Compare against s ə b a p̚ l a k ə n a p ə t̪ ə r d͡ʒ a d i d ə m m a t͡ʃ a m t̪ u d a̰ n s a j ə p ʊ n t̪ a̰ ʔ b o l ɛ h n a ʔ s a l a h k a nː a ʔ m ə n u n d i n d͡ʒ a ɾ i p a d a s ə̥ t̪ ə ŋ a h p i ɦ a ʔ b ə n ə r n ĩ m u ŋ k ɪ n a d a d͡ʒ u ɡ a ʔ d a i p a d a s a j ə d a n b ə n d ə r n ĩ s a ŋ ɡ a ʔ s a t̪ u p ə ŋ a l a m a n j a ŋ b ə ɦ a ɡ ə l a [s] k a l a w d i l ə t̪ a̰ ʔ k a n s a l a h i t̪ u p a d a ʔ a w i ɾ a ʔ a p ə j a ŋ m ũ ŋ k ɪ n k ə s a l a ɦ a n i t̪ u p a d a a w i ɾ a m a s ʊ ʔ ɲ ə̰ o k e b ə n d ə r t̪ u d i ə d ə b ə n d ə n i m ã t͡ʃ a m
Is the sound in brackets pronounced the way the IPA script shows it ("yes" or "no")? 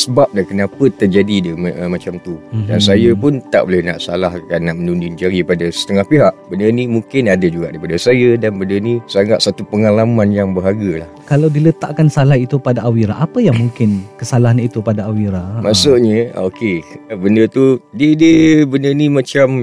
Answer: no